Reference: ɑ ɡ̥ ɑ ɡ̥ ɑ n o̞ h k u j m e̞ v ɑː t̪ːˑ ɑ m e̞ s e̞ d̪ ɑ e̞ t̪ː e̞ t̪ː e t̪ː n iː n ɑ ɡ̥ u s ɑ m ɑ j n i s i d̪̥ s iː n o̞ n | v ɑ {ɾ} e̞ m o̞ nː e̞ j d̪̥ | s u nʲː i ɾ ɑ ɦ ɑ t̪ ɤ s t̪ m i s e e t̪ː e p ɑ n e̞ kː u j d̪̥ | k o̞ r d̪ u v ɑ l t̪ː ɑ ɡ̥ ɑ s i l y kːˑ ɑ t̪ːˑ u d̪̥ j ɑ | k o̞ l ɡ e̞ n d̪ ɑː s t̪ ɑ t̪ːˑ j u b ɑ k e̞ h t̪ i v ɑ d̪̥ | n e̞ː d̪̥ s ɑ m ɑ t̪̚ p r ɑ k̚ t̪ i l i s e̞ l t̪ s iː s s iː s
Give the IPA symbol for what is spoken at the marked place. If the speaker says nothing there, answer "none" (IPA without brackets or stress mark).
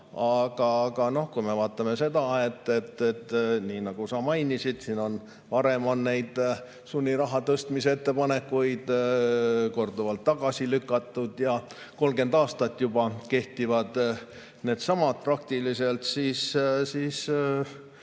ɾ